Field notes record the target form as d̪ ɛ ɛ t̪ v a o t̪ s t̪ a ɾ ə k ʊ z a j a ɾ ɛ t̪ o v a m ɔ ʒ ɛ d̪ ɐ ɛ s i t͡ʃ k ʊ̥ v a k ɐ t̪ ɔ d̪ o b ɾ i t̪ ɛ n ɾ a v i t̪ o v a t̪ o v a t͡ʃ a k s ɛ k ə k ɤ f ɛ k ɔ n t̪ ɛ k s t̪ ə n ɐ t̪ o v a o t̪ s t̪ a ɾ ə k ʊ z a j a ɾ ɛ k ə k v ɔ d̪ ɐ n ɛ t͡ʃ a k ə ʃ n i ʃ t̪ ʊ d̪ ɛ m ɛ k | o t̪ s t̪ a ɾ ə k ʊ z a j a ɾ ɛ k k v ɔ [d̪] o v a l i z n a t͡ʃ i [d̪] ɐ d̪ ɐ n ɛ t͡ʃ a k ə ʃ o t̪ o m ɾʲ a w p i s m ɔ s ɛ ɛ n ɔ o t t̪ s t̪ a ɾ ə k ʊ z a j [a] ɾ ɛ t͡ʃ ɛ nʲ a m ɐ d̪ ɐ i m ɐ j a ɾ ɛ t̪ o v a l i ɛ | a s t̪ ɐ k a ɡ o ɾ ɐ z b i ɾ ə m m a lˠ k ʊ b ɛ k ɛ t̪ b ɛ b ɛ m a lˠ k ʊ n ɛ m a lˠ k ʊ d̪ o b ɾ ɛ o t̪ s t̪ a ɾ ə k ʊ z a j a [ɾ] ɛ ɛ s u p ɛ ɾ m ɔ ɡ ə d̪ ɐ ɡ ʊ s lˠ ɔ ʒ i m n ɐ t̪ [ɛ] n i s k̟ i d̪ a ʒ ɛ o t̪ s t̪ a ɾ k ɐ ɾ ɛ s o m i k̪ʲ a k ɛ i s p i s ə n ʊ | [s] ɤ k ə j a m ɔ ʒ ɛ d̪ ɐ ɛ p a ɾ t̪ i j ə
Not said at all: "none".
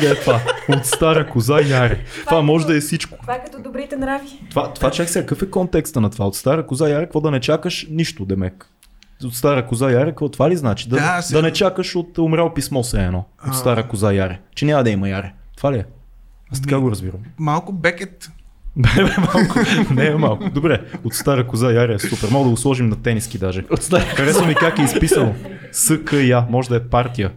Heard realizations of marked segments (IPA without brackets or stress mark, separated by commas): t̪, d̪, a, ɾ, ɛ, s